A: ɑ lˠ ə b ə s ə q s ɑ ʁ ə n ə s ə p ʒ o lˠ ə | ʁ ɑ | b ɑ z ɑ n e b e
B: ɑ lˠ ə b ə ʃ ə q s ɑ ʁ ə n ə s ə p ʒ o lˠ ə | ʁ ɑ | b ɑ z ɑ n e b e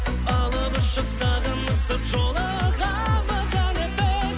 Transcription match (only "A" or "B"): B